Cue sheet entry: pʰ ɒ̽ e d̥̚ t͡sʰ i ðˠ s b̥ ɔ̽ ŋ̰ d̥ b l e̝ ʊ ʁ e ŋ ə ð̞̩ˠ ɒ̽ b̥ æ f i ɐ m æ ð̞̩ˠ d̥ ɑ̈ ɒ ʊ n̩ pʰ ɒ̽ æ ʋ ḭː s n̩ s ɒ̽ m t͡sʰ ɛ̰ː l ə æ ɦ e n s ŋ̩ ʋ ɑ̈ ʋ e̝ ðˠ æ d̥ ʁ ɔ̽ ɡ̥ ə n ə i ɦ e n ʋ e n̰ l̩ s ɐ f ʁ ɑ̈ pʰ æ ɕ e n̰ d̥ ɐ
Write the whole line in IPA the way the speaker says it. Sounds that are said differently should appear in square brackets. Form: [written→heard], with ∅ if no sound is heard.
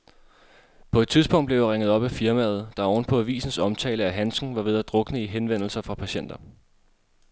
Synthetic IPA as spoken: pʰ ɒ̽ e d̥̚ t͡sʰ i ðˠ s b̥ ɔ̽ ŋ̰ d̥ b l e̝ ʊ ʁ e ŋ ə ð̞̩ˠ ɒ̽ b̥ æ f i ɐ m æ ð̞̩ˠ d̥ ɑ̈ ɒ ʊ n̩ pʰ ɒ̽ æ ʋ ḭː s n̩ s ɒ̽ m t͡sʰ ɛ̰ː l ə æ ɦ [e→æ] n s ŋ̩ ʋ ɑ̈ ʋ e̝ ðˠ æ d̥ ʁ ɔ̽ ɡ̥ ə n ə i ɦ e n ʋ e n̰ l̩ s ɐ f ʁ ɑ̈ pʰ æ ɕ e n̰ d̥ ɐ